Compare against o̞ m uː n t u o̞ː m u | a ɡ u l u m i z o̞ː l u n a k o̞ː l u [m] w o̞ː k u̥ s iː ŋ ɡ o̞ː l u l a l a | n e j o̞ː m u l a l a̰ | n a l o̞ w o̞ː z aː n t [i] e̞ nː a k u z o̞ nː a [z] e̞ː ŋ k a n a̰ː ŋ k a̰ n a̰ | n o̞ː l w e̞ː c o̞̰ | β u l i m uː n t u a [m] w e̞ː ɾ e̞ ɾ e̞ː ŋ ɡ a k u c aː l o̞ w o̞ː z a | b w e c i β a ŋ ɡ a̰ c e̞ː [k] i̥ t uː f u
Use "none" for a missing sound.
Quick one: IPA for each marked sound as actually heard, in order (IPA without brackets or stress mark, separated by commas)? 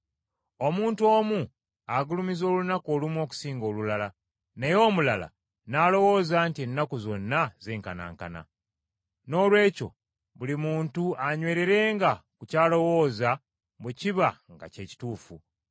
m, i, z, ɲ, c